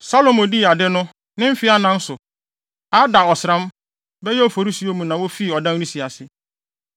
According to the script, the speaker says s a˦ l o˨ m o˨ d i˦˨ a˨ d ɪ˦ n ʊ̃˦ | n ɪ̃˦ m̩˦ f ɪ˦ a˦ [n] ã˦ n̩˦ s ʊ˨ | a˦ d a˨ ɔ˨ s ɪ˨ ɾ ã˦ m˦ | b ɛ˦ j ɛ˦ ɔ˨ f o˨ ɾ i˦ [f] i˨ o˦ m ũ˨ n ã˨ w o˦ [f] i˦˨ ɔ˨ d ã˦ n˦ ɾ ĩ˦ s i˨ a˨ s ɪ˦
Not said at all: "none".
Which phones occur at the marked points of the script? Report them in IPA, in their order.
n, s, f

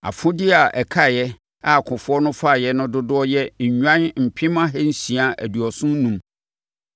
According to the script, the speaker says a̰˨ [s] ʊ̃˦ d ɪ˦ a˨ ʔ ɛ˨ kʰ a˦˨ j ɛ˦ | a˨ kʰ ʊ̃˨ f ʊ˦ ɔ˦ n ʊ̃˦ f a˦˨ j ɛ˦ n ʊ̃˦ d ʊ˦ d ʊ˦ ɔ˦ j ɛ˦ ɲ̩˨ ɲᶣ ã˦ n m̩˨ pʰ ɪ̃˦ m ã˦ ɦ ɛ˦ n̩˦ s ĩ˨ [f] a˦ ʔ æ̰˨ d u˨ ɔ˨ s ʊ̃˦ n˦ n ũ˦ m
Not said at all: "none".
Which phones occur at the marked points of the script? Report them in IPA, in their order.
f, none

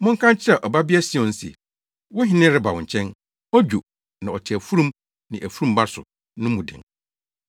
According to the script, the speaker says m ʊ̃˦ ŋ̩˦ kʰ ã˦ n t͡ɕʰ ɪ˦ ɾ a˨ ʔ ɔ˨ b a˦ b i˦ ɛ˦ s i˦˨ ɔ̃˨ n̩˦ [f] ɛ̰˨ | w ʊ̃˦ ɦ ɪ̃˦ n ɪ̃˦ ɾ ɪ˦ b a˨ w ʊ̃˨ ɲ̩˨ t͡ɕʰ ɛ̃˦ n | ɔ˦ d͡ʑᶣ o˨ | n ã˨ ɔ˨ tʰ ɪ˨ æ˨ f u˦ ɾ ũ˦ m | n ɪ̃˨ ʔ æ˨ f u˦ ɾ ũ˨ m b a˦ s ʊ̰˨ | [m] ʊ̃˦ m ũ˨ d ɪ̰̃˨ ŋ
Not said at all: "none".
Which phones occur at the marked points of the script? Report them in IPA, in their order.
s, n

